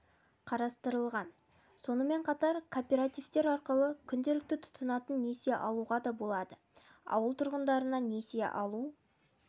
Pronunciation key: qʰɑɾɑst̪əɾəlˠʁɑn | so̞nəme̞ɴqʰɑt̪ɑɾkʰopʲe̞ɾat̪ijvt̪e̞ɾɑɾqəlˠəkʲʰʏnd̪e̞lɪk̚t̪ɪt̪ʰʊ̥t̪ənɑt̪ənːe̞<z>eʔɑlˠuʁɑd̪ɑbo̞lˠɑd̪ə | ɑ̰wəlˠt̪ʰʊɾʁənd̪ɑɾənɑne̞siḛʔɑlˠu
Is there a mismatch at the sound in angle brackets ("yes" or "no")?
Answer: yes